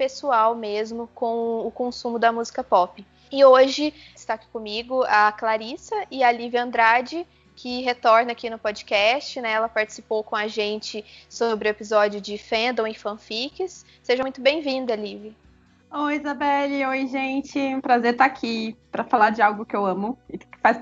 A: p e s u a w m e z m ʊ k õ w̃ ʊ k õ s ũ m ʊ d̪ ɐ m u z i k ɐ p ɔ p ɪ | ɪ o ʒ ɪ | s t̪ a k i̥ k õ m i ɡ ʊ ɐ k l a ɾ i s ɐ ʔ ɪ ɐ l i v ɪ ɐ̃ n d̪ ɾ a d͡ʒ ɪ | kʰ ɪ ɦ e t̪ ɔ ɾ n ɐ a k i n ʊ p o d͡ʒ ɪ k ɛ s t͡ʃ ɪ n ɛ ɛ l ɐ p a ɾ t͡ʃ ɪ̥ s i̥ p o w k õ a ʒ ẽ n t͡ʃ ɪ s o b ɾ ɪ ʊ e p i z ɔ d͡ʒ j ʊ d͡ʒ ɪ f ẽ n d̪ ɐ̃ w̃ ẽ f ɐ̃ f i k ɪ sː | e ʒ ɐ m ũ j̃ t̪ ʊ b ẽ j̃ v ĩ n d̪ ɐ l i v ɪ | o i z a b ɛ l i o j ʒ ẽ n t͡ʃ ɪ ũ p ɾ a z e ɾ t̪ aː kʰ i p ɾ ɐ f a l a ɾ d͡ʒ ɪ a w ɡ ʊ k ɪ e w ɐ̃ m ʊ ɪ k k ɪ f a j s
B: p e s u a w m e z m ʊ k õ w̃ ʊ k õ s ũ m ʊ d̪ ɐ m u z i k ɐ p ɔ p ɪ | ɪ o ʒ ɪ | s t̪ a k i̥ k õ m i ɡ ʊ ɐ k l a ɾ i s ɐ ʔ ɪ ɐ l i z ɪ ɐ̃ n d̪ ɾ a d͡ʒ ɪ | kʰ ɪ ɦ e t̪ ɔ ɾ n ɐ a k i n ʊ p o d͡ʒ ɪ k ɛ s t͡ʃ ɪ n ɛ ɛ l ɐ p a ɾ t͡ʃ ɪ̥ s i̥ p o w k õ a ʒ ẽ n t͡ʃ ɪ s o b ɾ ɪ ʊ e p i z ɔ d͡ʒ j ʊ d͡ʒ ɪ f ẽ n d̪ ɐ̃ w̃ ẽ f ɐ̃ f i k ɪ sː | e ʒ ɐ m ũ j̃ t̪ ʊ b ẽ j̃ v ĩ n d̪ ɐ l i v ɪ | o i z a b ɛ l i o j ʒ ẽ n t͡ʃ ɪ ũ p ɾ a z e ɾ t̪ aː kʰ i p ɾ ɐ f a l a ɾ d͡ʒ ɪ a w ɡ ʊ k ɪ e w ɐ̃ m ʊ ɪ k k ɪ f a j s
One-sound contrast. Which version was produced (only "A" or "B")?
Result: A